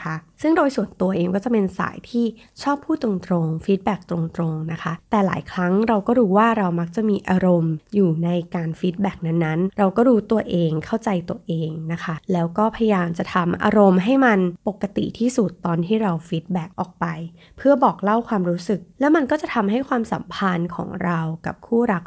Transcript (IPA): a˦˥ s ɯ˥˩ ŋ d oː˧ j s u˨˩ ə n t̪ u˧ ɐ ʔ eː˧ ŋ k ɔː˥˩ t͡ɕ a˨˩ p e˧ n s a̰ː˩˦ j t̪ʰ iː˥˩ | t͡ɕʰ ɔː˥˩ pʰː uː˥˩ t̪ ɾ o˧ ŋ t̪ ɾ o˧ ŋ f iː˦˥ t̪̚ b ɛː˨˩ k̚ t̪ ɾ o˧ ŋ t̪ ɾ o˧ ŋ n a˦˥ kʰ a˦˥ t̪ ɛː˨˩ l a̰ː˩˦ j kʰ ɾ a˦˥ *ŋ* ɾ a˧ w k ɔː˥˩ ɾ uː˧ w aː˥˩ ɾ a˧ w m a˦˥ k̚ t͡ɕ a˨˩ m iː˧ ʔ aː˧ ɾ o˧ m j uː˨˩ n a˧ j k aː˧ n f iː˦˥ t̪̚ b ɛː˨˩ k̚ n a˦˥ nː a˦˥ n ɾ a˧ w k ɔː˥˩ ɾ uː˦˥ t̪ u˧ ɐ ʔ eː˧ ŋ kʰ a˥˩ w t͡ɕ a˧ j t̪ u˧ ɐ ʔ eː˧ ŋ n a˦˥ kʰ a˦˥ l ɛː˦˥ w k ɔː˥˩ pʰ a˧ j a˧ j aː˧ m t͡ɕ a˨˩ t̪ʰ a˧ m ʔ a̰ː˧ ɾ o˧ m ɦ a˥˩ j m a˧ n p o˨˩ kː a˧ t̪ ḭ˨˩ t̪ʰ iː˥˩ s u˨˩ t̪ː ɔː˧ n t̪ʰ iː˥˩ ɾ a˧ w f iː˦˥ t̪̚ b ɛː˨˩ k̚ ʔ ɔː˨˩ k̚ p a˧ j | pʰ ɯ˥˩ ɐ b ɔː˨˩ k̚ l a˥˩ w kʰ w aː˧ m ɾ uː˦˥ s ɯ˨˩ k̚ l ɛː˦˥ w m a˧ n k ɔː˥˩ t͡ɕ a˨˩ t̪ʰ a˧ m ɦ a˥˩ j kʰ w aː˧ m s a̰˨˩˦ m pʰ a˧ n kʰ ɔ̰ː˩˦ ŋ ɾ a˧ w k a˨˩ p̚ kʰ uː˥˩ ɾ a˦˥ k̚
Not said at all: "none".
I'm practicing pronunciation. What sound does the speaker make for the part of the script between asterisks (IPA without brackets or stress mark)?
ŋ